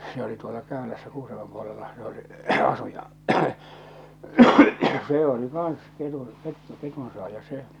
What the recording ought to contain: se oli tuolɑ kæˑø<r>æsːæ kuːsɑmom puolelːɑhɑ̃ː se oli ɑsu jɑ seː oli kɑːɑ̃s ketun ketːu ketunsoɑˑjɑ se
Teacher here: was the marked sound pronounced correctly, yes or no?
no